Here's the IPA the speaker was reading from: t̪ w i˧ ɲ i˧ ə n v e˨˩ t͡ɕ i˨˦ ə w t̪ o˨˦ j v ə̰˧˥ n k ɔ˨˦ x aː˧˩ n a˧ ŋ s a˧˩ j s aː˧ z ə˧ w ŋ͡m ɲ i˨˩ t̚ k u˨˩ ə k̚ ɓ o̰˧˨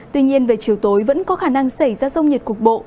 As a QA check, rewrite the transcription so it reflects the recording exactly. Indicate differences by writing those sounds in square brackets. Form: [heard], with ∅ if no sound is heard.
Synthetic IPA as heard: t̪ w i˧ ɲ i˧ ə n v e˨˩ t͡ɕ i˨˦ ə w t̪ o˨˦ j v ə̰˧˥ n k ɔ˨˦ x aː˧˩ n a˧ ŋ s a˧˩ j [z] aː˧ z ə˧ w ŋ͡m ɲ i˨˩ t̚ k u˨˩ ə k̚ ɓ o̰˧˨